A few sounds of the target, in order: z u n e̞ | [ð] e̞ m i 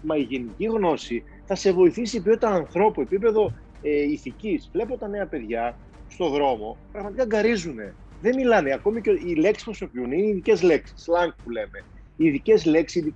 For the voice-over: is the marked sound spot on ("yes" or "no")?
yes